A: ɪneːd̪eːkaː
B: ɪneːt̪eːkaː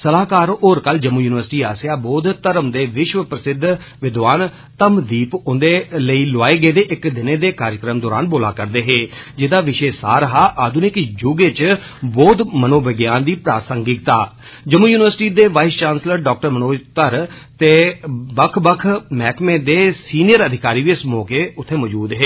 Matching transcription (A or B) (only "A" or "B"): A